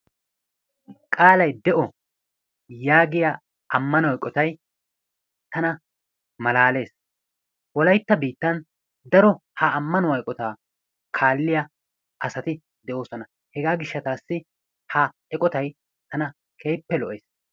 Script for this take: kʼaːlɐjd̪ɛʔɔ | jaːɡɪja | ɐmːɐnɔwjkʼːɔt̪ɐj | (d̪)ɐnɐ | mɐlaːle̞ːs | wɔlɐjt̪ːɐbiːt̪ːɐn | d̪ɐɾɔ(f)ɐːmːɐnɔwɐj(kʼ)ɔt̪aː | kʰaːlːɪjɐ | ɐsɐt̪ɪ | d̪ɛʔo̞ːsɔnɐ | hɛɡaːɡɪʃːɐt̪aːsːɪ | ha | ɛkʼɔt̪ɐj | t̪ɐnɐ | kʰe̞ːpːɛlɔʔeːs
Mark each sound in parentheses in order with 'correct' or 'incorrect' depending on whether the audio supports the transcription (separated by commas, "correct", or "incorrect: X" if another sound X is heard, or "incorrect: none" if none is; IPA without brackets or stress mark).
incorrect: t̪, incorrect: h, correct